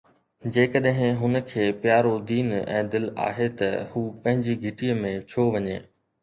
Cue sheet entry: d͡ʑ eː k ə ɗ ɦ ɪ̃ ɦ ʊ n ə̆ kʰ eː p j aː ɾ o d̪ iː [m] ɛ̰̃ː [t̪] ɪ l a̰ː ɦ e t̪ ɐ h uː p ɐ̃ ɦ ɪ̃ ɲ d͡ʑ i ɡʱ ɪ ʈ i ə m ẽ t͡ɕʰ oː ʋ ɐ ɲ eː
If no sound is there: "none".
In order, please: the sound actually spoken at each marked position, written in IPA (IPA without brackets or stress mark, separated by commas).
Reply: n, d̪